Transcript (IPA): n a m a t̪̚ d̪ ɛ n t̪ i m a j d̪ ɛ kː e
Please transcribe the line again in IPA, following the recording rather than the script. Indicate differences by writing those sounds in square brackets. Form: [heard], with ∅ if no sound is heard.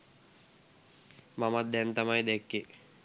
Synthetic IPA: [m] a m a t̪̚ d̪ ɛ n t̪ [a] m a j d̪ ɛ kː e